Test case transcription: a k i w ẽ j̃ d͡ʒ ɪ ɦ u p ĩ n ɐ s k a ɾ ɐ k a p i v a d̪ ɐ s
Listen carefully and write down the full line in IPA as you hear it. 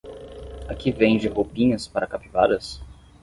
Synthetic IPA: a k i v ẽ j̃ d͡ʒ ɪ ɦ o p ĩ ɲ ɐ s p a ɾ ɐ k a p i v a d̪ ɐ s